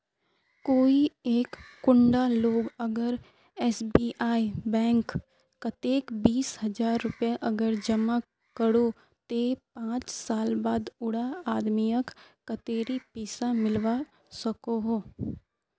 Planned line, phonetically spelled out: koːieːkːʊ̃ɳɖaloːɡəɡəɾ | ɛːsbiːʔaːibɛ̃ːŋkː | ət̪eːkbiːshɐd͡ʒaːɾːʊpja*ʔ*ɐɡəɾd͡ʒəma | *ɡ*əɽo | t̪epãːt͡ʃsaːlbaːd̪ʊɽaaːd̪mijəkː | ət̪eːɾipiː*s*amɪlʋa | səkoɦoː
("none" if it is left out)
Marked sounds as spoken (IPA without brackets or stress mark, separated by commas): ʔ, k, s